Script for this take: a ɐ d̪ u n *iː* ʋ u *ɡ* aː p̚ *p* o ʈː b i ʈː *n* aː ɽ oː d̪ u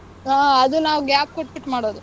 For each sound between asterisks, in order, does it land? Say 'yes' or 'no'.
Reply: no, yes, no, no

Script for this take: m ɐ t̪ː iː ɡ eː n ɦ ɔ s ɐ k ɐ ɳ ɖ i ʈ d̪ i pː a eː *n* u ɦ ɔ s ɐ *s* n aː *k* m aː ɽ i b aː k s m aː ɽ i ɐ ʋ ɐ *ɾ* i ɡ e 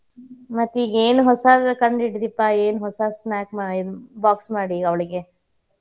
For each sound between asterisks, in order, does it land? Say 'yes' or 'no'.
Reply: yes, yes, yes, no

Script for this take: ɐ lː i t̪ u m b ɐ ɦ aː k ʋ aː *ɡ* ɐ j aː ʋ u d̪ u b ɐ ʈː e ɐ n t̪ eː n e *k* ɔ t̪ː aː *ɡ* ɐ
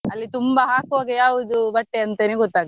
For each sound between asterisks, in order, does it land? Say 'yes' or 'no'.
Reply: yes, no, yes

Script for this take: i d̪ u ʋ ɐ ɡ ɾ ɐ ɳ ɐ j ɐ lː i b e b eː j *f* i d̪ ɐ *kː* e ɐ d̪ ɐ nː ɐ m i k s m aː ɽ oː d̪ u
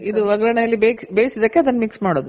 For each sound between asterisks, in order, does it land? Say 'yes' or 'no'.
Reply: no, yes

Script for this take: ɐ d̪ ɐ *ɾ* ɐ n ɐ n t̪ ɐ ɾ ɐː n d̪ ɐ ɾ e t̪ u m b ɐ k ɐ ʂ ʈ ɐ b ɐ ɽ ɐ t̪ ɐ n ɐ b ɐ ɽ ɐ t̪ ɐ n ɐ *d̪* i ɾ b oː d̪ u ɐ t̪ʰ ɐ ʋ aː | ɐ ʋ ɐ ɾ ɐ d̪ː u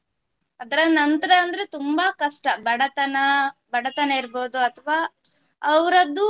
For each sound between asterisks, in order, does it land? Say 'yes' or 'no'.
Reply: yes, no

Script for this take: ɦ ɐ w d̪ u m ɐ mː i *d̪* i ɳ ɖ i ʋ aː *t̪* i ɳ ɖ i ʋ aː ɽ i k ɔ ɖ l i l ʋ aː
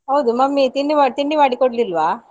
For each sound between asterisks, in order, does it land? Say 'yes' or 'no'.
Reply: no, yes

